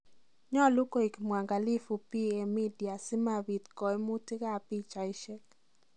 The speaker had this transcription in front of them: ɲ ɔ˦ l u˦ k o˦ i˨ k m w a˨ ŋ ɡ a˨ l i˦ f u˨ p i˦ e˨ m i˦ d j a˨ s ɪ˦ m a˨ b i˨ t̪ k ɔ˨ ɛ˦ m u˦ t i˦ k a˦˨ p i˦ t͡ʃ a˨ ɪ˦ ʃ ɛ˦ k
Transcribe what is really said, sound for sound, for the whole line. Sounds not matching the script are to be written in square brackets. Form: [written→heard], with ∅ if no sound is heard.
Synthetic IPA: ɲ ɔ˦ l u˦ k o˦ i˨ k m w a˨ ŋ ɡ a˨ l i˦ f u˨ p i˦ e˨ m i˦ d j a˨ s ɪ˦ m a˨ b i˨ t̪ k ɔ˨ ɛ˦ m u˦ t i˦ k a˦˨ p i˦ t͡ʃ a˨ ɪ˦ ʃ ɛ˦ k

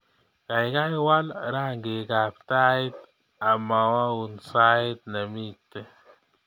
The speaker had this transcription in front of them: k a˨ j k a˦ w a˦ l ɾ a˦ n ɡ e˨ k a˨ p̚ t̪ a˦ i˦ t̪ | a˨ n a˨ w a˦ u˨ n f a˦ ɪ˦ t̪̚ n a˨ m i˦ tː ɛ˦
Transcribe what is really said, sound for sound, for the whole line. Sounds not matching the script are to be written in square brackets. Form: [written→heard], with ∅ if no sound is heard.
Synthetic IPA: k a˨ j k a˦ w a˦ l ɾ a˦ [n→ŋ] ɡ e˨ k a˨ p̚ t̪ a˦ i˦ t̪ | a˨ [n→m] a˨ w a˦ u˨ n [f→s] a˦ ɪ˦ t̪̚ n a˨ m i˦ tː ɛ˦

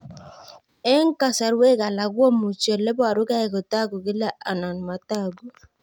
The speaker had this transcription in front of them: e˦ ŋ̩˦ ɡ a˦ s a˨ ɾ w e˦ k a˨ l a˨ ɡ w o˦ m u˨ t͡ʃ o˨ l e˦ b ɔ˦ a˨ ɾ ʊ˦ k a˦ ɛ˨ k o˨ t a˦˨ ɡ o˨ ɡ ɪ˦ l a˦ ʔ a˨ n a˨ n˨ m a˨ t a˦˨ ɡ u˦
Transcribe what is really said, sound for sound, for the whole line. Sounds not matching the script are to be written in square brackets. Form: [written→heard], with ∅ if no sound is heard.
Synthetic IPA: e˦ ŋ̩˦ [ɡ→k] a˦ s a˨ ɾ w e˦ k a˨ l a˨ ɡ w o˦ m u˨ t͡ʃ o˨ l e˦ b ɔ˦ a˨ ɾ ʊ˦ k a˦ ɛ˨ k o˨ t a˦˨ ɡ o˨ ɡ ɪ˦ l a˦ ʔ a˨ n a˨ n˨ m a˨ t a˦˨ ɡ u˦

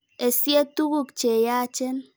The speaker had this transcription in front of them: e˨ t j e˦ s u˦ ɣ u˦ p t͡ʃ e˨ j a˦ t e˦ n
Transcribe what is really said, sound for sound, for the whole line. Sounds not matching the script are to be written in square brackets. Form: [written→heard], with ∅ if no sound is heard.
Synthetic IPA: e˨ [t→s] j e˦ [s→t] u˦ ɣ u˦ [p→k] t͡ʃ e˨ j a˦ [t→t͡ʃ] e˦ n

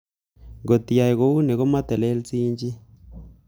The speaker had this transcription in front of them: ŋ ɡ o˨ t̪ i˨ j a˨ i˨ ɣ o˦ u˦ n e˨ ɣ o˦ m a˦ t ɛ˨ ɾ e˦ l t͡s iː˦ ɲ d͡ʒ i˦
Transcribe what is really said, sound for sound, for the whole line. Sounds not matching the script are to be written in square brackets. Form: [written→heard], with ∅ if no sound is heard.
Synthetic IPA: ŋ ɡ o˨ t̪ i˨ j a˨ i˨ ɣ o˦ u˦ n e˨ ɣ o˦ m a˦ t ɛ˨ [ɾ→l] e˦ l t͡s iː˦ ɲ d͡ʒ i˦

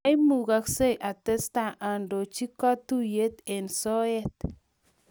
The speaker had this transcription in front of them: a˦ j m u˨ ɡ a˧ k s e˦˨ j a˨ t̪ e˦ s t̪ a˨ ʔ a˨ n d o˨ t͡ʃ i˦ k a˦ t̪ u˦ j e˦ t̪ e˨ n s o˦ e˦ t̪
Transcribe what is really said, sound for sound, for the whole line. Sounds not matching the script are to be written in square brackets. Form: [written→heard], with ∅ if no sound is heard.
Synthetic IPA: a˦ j m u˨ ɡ a˧ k s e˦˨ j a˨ t̪ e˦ s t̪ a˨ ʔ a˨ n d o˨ t͡ʃ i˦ k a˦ t̪ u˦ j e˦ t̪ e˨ n s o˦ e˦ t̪

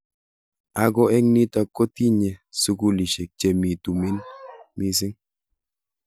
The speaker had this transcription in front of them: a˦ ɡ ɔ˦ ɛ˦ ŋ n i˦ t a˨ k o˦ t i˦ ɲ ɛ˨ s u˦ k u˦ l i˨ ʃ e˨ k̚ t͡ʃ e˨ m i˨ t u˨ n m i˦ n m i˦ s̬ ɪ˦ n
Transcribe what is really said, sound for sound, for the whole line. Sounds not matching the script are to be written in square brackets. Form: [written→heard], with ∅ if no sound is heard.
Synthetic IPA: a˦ ɡ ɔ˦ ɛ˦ ŋ n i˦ t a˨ k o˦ t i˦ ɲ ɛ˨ s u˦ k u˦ l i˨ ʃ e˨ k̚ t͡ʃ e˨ m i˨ t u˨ [n→∅] m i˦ n m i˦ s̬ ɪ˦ [n→ŋ]

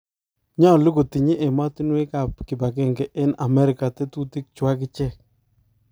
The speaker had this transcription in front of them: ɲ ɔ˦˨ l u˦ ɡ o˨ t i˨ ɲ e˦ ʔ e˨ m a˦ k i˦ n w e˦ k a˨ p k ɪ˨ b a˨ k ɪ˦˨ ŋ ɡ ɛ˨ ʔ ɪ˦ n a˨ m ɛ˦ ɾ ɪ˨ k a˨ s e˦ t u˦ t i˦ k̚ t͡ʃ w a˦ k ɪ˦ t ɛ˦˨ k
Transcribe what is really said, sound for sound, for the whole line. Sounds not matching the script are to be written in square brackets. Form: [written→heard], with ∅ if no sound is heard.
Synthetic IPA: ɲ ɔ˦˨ l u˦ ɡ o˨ t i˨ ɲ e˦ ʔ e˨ m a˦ [k→t] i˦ n w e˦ k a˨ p k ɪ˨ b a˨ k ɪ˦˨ ŋ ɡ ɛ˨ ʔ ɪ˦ n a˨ m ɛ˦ ɾ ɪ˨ k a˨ [s→t] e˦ t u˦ t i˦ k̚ t͡ʃ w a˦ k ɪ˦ [t→t͡ʃ] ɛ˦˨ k

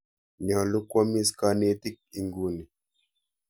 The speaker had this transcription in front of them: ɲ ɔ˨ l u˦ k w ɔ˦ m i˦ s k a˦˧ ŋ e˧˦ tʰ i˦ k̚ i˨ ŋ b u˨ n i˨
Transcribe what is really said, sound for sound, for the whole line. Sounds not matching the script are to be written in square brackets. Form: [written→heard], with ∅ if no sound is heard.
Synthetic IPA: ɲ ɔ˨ l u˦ k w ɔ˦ m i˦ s k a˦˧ [ŋ→n] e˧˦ [tʰ→t] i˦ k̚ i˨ ŋ [b→ɡ] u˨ n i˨

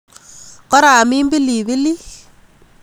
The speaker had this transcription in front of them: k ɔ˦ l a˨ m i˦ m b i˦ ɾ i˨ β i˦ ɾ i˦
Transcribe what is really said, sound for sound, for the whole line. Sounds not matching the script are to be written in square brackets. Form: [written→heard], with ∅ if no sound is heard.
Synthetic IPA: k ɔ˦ [l→ɾ] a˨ m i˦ m b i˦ [ɾ→l] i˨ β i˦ [ɾ→l] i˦

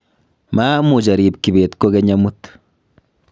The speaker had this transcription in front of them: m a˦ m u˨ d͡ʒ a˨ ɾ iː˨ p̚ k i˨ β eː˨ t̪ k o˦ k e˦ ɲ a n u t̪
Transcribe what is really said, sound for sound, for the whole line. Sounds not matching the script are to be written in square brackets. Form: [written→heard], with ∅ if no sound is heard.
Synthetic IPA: m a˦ m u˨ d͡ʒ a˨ ɾ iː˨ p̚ k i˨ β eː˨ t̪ k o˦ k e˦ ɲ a [n→m] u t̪

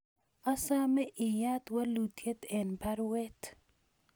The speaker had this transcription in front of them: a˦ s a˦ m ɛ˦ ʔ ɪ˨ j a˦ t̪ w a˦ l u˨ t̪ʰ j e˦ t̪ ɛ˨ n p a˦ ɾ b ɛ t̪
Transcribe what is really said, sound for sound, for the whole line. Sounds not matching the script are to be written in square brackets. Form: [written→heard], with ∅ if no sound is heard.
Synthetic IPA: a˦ s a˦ m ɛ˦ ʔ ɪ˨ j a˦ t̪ w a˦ l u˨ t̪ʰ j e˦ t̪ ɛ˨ n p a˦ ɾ [b→w] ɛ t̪

